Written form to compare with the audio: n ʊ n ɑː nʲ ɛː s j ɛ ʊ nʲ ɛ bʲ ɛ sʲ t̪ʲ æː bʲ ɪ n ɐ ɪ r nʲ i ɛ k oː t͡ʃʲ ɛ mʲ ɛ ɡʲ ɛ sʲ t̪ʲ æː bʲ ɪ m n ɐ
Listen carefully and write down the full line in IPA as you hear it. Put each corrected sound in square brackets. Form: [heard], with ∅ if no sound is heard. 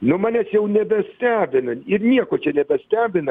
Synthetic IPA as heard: n ʊ [m] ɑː nʲ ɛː s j ɛ ʊ nʲ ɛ bʲ ɛ sʲ t̪ʲ æː bʲ ɪ n ɐ ɪ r nʲ i ɛ k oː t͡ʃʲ ɛ [nʲ] ɛ [bʲ] ɛ sʲ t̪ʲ æː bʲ ɪ [∅] n ɐ

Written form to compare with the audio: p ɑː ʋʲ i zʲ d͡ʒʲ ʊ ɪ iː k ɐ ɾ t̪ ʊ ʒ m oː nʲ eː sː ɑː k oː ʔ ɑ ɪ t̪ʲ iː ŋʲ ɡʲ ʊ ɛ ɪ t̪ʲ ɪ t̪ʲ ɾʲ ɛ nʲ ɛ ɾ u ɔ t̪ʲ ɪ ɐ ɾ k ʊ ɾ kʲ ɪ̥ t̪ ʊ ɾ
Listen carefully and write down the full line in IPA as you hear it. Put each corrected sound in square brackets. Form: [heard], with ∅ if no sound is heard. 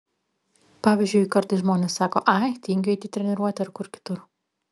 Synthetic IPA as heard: p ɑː ʋʲ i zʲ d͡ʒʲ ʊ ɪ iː k ɐ ɾ t̪ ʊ ʒ m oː nʲ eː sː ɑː k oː ʔ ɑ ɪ t̪ʲ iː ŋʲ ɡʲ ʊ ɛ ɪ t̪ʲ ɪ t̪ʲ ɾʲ ɛ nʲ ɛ ɾ u ɔ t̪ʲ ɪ ɐ ɾ k ʊ ɾ kʲ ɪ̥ t̪ ʊ ɾ

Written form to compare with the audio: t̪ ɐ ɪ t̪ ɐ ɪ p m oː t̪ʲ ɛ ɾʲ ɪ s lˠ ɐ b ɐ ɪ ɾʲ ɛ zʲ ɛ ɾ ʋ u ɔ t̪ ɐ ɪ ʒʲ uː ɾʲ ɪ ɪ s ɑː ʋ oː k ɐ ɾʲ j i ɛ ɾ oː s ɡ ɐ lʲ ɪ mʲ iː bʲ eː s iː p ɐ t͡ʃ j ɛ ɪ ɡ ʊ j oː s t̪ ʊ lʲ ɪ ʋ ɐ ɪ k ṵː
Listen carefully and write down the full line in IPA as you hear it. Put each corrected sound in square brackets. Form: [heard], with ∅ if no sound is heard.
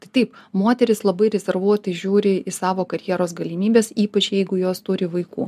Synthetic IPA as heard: t̪ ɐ ɪ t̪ ɐ ɪ p m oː t̪ʲ ɛ ɾʲ ɪ s lˠ ɐ b ɐ ɪ ɾʲ ɛ zʲ ɛ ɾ ʋ u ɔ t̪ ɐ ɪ ʒʲ uː ɾʲ ɪ ɪ s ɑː ʋ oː k ɐ ɾʲ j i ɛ ɾ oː s ɡ ɐ lʲ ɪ mʲ iː bʲ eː s iː p ɐ t͡ʃ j ɛ ɪ ɡ ʊ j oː s t̪ ʊ [ɾʲ] ɪ ʋ ɐ ɪ k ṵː

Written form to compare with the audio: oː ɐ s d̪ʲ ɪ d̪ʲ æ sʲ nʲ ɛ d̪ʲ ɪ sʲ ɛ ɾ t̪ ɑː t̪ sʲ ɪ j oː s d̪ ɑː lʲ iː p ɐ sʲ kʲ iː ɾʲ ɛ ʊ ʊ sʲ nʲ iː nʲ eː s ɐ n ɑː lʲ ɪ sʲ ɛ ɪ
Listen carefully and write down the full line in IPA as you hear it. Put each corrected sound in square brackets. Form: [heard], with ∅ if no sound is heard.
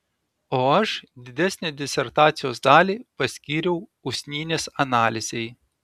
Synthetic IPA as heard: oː ɐ [ʃ] d̪ʲ ɪ d̪ʲ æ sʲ nʲ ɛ d̪ʲ ɪ sʲ ɛ ɾ t̪ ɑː t̪ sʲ ɪ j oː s d̪ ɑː lʲ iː p ɐ sʲ kʲ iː ɾʲ ɛ ʊ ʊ sʲ nʲ iː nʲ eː s ɐ n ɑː lʲ ɪ [zʲ] ɛ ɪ

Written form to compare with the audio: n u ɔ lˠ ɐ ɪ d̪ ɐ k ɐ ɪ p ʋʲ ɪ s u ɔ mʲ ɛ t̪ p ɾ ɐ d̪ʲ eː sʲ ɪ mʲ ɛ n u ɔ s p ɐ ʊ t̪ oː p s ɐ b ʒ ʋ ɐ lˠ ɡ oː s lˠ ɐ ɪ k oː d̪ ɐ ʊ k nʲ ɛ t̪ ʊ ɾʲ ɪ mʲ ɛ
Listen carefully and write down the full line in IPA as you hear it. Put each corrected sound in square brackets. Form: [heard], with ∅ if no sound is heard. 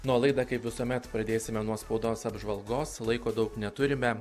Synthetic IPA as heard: n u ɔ lˠ ɐ ɪ d̪ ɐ k ɐ ɪ p ʋʲ ɪ s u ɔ mʲ ɛ t̪ p ɾ ɐ d̪ʲ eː sʲ ɪ mʲ ɛ n u ɔ s p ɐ ʊ [d̪] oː [∅] s ɐ b ʒ ʋ ɐ lˠ ɡ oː s lˠ ɐ ɪ k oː d̪ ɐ ʊ k nʲ ɛ t̪ ʊ ɾʲ ɪ mʲ ɛ

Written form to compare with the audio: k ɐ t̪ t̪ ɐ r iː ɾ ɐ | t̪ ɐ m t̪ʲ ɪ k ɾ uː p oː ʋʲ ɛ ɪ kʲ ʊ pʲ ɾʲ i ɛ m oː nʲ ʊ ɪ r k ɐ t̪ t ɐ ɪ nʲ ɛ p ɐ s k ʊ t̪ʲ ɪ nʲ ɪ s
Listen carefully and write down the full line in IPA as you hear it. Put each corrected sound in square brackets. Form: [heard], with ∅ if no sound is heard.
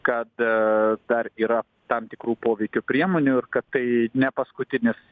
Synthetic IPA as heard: k ɐ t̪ [d̪] ɐ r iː ɾ ɐ | t̪ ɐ m t̪ʲ ɪ k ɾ uː p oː ʋʲ ɛ ɪ kʲ ʊ pʲ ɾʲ i ɛ m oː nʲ ʊ ɪ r k ɐ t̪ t ɐ ɪ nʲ ɛ p ɐ s k ʊ t̪ʲ ɪ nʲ ɪ s

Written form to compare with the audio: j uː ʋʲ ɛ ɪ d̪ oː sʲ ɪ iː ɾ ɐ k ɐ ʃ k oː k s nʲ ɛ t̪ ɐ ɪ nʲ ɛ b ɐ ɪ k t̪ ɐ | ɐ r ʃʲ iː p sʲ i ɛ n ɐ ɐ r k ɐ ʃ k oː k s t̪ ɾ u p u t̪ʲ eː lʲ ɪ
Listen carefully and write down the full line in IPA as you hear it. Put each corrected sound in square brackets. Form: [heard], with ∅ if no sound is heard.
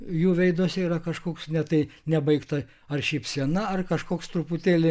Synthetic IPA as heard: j uː ʋʲ ɛ ɪ d̪ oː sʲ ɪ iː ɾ ɐ k ɐ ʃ k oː k s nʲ ɛ t̪ ɐ ɪ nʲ ɛ b ɐ ɪ k t̪ ɐ | ɐ r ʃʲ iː p sʲ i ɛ n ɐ ɐ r k ɐ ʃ k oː k s t̪ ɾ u p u t̪ʲ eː lʲ ɪ

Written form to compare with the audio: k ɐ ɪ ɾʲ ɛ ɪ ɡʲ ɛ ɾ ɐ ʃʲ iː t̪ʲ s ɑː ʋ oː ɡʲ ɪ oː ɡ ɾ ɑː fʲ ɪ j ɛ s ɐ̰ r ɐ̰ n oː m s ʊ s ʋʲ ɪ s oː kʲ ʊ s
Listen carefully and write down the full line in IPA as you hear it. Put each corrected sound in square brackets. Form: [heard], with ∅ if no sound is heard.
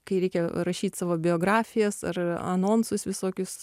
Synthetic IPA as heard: k ɐ ɪ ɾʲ ɛ ɪ [kʲ] ɛ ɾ ɐ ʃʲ iː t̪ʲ s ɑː ʋ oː [bʲ] ɪ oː ɡ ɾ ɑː fʲ ɪ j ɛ s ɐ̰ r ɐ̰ n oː [n] s ʊ s ʋʲ ɪ s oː kʲ ʊ s

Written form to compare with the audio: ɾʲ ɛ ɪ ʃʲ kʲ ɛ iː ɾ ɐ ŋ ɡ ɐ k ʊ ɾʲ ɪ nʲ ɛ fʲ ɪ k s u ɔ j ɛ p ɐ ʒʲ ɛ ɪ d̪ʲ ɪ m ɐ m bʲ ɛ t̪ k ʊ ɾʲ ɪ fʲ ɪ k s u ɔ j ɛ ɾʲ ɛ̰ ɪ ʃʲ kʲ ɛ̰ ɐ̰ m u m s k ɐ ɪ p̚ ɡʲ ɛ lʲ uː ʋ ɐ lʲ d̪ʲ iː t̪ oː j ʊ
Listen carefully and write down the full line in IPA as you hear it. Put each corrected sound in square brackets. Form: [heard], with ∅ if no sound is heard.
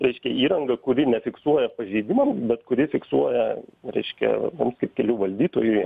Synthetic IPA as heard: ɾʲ ɛ ɪ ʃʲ kʲ ɛ iː ɾ ɐ ŋ ɡ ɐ k ʊ ɾʲ ɪ nʲ ɛ fʲ ɪ k s u ɔ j ɛ p ɐ ʒʲ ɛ ɪ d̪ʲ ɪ m ɐ m bʲ ɛ t̪ k ʊ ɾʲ ɪ fʲ ɪ k s u ɔ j ɛ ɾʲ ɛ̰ ɪ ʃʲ kʲ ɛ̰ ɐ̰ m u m s k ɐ ɪ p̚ [kʲ] ɛ lʲ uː ʋ ɐ lʲ d̪ʲ iː t̪ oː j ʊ

